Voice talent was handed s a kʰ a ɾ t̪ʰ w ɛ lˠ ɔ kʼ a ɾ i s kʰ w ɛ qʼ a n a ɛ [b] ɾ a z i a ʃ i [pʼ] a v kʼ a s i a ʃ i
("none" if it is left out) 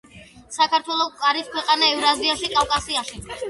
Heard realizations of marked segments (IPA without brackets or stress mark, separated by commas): v, kʼ